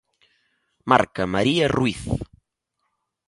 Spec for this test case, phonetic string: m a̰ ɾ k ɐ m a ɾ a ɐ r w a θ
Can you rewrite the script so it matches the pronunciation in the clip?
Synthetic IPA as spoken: m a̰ ɾ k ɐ m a ɾ i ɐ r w i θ